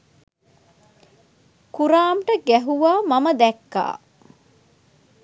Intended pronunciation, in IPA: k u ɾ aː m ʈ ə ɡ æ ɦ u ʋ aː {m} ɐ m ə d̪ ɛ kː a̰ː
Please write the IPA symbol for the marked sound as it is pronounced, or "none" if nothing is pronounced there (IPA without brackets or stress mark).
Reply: m